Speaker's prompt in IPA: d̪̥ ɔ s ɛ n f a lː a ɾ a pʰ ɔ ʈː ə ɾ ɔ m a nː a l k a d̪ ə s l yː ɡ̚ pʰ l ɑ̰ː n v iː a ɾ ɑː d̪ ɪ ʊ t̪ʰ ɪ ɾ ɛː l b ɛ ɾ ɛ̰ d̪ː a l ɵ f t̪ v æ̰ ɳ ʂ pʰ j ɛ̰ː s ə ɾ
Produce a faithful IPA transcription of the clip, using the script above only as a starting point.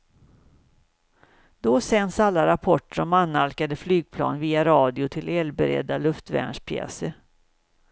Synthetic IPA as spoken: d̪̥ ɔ s ɛ n s a lː a ɾ a pʰ ɔ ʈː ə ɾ ɔ m a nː a l k a d̪ ə f l yː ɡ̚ pʰ l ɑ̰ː n v iː a ɾ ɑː d̪ ɪ ʊ t̪ʰ ɪ l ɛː l b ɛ ɾ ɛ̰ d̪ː a l ɵ f t̪ v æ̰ ɳ ʂ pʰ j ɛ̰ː s ə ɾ